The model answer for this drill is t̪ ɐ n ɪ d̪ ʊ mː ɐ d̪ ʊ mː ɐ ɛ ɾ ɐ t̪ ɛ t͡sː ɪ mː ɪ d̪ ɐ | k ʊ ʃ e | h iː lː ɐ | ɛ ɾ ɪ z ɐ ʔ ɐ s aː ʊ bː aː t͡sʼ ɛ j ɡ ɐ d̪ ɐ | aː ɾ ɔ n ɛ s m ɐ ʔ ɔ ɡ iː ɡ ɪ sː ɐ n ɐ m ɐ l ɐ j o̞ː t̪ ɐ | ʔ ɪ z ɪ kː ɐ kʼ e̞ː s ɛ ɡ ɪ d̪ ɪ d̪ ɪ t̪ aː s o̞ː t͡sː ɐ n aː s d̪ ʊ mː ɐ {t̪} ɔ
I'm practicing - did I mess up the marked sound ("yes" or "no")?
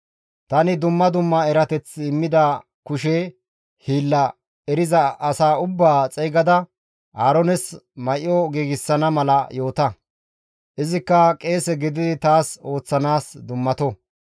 no